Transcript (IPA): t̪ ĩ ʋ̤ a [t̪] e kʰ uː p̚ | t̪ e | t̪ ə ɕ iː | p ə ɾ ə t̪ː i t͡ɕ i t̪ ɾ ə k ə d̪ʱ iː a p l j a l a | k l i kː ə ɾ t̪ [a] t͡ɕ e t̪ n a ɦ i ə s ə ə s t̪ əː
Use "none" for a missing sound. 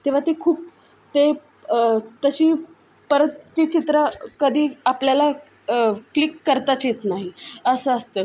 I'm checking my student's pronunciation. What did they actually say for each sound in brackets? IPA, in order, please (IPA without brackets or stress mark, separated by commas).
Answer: t̪, a